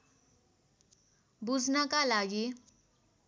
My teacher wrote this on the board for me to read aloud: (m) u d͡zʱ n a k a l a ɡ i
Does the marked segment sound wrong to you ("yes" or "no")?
yes